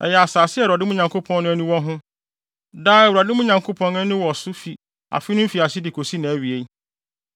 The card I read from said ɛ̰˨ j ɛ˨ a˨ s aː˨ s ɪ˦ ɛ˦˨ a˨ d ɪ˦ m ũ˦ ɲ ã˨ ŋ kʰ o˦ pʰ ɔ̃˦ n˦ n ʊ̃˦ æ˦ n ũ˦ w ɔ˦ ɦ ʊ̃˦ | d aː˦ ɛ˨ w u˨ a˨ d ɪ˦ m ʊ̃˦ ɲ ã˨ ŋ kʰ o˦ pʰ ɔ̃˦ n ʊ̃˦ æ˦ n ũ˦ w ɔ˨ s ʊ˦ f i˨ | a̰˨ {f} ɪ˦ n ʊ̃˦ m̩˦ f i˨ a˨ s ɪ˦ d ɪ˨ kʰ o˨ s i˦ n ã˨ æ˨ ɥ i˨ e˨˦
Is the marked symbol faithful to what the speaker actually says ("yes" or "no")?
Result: yes